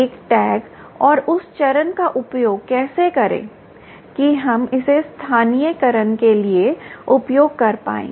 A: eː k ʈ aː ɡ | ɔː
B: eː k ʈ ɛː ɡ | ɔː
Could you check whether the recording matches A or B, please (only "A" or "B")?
B